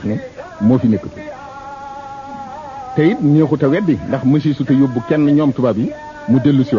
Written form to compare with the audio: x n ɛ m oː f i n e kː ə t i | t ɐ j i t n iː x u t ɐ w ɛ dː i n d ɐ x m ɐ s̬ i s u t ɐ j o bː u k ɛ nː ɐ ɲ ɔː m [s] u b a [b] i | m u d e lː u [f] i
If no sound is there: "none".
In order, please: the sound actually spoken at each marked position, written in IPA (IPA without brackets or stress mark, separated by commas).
t, b, s